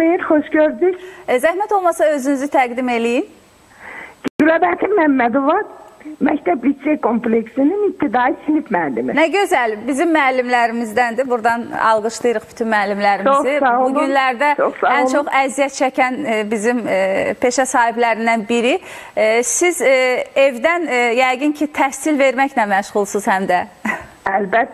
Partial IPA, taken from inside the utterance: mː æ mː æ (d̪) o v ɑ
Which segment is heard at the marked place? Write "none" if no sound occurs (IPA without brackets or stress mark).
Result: d̪